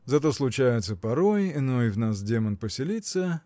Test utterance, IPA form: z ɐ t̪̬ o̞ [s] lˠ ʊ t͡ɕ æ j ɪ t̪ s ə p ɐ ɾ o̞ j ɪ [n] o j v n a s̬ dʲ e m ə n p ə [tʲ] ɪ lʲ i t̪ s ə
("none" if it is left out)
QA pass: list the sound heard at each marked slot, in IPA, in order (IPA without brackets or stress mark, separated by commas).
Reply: s, n, sʲ